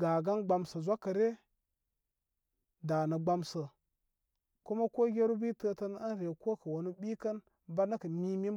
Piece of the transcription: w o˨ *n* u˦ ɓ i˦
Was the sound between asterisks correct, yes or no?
yes